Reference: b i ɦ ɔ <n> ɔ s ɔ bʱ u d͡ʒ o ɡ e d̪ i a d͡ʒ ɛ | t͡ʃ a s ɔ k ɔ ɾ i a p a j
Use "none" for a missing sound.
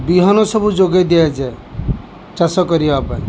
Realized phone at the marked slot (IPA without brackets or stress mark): n